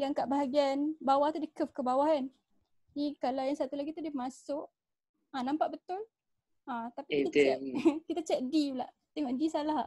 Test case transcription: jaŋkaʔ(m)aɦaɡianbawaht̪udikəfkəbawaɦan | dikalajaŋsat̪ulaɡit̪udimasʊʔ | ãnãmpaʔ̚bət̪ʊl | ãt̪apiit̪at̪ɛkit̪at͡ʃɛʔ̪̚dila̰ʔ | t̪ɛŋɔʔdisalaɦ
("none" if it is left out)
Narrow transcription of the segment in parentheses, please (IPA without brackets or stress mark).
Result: b